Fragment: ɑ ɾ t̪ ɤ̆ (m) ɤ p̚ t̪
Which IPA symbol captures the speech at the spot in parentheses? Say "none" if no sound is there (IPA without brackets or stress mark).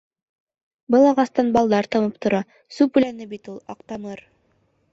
m